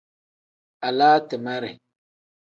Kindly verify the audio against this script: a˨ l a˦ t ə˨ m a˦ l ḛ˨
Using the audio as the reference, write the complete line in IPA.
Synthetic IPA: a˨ l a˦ t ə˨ m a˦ ɾ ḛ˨